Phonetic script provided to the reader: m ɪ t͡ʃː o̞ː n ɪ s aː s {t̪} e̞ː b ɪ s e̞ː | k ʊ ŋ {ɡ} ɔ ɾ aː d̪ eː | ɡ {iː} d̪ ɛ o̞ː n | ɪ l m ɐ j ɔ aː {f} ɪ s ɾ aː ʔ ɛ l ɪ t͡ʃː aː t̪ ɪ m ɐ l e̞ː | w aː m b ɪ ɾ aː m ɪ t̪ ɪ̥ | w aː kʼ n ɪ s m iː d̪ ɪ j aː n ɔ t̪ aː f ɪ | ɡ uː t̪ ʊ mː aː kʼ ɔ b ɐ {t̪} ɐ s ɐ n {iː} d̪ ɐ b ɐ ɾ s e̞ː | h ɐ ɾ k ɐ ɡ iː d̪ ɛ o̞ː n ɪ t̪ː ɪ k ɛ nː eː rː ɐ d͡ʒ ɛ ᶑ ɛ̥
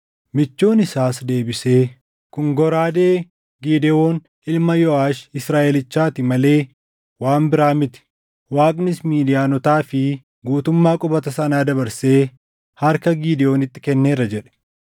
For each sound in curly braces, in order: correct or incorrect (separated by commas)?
incorrect, correct, correct, incorrect, correct, incorrect